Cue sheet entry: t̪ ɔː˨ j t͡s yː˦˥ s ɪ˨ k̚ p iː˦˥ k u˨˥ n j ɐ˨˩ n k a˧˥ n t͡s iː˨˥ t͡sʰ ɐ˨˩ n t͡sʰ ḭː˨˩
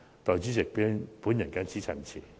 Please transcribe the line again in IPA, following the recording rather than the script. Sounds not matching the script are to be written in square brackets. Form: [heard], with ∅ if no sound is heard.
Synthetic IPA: t̪ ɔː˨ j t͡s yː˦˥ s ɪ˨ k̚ p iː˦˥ [p] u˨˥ n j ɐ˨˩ n k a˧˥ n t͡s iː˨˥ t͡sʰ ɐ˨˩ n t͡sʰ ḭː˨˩